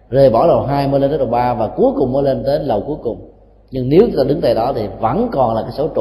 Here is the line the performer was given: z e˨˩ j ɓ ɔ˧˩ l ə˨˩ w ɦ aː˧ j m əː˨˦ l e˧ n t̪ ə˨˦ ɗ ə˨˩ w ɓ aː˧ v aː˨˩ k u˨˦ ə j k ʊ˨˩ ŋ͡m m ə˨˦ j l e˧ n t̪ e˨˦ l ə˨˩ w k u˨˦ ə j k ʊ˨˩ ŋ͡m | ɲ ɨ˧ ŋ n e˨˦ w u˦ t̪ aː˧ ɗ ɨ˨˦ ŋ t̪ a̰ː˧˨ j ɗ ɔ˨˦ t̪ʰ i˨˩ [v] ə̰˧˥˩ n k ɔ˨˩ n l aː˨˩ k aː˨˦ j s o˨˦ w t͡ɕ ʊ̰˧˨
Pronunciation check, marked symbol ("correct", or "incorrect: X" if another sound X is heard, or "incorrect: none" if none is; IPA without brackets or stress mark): correct